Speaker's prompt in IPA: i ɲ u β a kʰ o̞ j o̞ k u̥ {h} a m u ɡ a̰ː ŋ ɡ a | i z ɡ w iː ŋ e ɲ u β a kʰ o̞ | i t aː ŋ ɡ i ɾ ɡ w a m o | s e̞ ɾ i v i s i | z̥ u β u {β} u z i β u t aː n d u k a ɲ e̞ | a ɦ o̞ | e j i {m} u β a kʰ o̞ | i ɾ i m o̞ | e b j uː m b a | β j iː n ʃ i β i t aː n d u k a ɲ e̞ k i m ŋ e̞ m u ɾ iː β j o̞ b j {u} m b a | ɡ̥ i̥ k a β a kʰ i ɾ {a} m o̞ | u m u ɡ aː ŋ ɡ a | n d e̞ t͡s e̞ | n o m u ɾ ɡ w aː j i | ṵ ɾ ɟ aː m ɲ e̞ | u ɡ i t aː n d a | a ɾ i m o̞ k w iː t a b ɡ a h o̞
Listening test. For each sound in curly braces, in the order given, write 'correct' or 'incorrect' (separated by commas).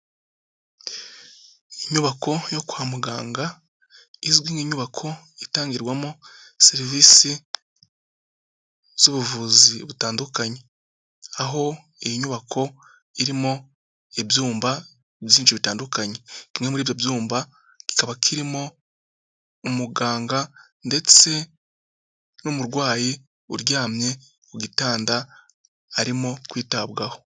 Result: correct, incorrect, incorrect, incorrect, incorrect